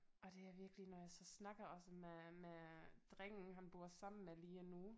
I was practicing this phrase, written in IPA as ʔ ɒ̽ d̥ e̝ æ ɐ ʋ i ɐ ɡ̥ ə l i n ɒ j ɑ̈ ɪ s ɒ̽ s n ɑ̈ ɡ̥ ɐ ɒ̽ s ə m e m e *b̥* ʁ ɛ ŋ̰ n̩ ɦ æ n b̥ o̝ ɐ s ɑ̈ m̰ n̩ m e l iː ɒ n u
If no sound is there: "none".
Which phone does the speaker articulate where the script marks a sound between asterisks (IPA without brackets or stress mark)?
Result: d̥